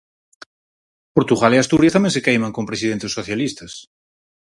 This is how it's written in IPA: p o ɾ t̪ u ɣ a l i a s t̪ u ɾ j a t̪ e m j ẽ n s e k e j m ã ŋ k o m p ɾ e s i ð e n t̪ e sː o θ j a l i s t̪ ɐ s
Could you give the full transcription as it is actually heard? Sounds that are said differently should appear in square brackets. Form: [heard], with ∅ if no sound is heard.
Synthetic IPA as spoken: p o ɾ t̪ u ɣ a l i a s t̪ u ɾ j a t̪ [a] m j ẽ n s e k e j m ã ŋ k o m p ɾ e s i ð e n t̪ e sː o θ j a l i s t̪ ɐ s